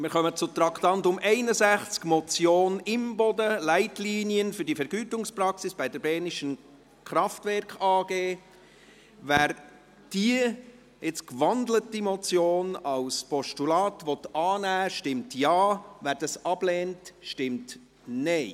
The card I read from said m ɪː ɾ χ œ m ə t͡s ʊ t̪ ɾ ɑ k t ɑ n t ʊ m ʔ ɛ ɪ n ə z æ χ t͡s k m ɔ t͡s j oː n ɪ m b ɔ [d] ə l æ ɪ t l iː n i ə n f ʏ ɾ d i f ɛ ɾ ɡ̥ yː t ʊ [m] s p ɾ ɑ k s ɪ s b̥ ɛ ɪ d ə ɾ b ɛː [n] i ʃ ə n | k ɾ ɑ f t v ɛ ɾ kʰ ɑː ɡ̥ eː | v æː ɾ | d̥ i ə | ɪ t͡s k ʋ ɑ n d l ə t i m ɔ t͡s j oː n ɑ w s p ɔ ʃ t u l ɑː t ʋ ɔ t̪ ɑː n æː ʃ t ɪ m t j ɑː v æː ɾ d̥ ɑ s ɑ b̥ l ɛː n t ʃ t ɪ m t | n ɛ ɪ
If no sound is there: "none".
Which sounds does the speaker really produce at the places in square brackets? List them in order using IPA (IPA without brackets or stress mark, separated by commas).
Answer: d, ŋ, n